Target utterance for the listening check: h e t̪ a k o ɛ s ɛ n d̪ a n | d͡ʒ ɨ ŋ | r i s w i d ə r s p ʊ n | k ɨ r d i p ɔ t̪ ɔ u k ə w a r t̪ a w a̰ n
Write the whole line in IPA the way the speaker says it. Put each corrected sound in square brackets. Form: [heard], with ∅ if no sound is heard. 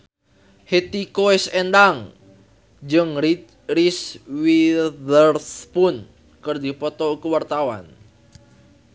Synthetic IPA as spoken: h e t̪ [i] k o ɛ s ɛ n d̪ a [ŋ] | d͡ʒ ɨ ŋ | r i s w i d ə r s p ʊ n | k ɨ r d i p ɔ t̪ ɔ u k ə w a r t̪ a w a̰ n